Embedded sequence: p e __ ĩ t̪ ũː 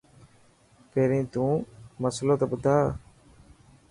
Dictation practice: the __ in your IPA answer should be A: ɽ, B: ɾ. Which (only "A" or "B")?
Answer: B